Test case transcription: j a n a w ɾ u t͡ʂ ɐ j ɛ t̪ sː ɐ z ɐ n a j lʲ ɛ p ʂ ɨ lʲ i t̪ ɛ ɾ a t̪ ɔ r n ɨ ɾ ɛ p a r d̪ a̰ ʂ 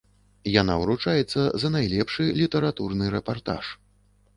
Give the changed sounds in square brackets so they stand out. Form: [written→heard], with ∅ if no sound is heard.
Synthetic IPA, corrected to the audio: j a n a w ɾ u t͡ʂ [ɐ→a] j ɛ t̪ sː ɐ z ɐ n a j lʲ ɛ p ʂ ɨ lʲ i t̪ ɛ ɾ a t̪ [ɔ→u] r n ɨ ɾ ɛ p a r [d̪→t̪] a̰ ʂ